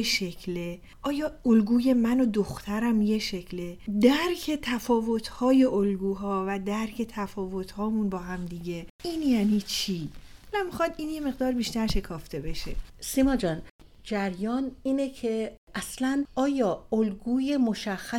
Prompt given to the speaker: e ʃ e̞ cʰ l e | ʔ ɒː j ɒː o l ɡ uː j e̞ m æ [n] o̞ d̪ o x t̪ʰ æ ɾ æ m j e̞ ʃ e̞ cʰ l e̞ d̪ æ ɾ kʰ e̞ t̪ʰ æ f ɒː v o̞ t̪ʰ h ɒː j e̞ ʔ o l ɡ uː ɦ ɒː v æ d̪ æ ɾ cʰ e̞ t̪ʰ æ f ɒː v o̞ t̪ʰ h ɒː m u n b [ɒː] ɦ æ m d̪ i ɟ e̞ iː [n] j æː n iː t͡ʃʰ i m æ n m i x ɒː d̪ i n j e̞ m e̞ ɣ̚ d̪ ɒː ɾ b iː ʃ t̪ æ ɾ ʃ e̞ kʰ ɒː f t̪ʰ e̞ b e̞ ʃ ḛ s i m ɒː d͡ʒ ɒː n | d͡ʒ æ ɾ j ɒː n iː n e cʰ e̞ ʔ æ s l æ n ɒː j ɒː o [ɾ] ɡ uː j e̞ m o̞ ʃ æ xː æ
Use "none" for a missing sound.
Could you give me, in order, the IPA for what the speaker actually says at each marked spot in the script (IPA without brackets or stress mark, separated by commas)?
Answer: n, ɒː, n, l